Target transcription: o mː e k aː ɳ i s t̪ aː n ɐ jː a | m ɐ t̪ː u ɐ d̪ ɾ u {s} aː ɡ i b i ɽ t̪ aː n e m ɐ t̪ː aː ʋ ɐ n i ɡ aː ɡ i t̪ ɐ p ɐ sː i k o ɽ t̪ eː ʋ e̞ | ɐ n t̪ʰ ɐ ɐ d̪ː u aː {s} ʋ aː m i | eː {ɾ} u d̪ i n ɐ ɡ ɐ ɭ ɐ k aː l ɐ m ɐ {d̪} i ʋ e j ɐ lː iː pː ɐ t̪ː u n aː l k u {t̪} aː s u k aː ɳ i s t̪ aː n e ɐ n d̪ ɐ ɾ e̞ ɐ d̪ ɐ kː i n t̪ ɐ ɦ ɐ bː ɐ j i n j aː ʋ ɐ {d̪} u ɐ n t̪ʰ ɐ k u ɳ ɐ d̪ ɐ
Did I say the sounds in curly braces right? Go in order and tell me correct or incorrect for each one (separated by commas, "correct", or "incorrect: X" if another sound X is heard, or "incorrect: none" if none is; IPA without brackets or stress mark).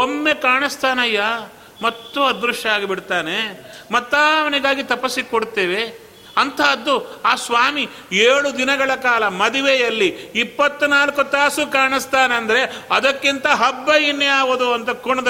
incorrect: ʂ, correct, incorrect: ɭ, correct, correct, correct